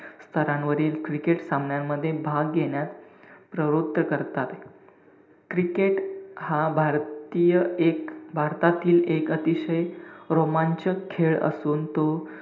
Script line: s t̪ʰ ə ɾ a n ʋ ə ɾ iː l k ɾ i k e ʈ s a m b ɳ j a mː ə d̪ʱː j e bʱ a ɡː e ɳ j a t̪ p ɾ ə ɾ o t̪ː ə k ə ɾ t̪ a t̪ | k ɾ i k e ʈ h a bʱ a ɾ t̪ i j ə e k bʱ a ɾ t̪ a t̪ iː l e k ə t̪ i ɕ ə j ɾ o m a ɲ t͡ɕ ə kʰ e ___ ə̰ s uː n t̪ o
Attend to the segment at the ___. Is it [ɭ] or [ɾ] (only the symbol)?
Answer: ɭ